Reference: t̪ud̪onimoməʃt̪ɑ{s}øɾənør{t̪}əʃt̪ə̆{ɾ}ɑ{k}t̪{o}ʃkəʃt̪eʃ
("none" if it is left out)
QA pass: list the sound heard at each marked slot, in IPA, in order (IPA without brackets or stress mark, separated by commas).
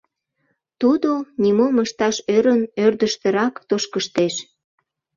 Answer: ʃ, d̪, ɾ, k, o